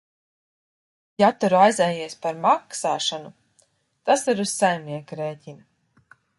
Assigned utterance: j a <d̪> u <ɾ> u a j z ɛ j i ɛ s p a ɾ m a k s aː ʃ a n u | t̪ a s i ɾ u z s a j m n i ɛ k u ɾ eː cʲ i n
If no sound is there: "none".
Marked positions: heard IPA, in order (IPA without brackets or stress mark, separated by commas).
t̪, ɾ